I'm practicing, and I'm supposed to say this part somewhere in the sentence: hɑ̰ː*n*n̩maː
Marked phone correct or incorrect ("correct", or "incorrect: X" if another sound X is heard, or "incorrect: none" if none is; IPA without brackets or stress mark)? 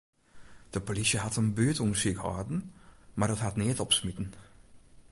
incorrect: d